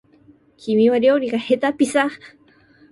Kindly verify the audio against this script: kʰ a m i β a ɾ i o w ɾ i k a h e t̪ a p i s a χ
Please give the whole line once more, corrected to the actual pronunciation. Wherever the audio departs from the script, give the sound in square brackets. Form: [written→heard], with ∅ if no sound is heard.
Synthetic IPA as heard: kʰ [a→i] m i [β→w] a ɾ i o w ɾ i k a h e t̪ a p i s a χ